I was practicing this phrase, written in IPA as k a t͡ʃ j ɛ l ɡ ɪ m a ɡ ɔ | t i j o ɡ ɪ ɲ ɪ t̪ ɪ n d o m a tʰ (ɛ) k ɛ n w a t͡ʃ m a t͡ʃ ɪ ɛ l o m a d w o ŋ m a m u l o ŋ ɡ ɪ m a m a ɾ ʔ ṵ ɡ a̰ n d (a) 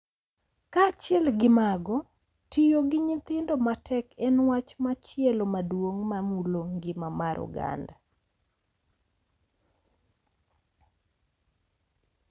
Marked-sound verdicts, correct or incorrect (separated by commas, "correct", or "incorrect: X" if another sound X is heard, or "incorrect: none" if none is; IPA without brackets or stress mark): correct, correct